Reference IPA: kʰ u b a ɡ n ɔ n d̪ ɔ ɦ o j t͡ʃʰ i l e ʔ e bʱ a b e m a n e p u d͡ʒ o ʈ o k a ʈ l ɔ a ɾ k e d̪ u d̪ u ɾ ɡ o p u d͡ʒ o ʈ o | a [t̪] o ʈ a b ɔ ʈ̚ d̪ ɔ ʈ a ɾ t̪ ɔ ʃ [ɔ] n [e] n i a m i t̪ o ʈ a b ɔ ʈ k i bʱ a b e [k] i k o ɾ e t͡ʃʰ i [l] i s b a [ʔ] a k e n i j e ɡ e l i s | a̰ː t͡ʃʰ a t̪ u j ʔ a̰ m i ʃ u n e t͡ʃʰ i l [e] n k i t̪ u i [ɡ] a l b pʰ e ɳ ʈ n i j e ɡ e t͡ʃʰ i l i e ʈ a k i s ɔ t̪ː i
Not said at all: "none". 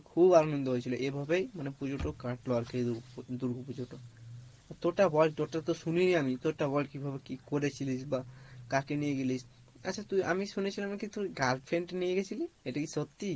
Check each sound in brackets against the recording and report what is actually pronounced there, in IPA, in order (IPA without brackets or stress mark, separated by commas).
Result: t̪, u, i, k, l, k, a, ɡ